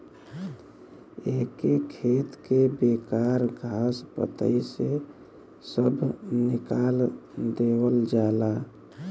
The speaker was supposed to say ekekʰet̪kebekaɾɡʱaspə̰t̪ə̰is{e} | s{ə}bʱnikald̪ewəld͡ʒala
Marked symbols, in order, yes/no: yes, yes

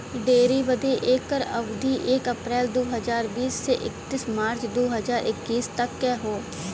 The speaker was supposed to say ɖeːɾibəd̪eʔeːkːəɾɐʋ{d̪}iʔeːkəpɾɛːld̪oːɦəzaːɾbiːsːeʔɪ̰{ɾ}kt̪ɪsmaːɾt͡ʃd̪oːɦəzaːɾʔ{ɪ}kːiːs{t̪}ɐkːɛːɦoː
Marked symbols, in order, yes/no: yes, no, yes, yes

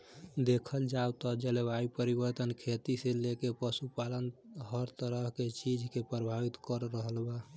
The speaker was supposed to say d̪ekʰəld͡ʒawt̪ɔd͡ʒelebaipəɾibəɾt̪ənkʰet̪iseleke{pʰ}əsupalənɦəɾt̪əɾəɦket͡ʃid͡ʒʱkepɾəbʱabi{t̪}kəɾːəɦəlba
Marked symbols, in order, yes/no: no, yes

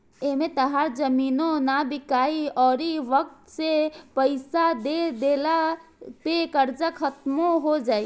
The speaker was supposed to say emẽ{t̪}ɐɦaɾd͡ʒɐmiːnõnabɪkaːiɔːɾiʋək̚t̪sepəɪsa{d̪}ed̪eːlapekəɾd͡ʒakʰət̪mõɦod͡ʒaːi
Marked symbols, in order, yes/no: yes, yes

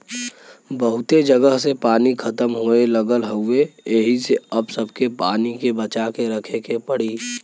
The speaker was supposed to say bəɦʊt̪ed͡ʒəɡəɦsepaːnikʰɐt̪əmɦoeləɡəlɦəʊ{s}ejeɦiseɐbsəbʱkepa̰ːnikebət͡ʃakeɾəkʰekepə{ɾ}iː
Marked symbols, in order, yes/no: no, no

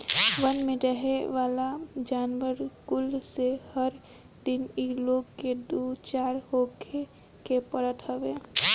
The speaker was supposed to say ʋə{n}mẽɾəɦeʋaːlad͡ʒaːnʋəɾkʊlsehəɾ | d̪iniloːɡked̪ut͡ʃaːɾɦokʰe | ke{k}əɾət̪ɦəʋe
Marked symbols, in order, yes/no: yes, no

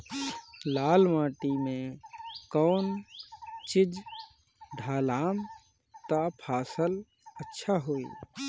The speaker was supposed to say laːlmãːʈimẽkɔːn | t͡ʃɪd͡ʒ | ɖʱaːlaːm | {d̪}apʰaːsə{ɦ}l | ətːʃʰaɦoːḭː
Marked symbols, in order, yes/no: no, no

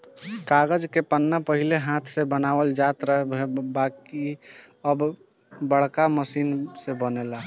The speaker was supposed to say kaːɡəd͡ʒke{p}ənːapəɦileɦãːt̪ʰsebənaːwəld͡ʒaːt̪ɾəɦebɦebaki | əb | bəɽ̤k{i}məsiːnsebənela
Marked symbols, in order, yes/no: yes, no

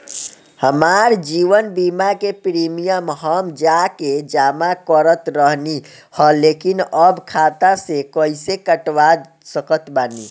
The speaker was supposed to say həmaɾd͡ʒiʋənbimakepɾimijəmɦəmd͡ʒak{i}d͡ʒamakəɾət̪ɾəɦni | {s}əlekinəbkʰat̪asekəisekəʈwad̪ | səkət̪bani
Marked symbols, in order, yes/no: no, no

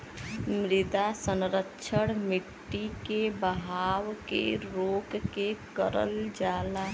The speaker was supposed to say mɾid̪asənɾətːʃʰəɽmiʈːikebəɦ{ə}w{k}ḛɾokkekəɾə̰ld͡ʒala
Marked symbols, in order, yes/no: no, yes

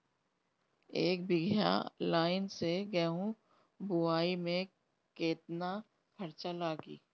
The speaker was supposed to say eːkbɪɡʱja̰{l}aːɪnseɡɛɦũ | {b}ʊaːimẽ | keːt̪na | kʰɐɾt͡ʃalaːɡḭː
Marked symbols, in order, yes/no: yes, yes

